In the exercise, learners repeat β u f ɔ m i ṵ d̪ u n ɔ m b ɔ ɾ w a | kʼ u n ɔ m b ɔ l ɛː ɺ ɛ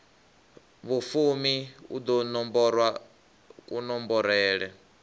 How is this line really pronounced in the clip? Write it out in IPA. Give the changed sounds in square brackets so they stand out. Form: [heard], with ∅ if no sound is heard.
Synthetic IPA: β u f [u] m i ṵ d̪ [ɔ] n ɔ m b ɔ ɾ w a | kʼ u n ɔ m b ɔ [ɾ] ɛː ɺ ɛ